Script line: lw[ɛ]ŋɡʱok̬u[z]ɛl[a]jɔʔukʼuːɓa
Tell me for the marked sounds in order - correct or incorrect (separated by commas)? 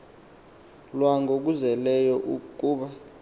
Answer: incorrect, correct, incorrect